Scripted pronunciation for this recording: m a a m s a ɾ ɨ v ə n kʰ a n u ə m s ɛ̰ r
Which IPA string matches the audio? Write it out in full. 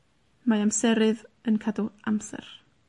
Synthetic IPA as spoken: m a a m s ɛ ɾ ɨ ð ə n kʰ a d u a m s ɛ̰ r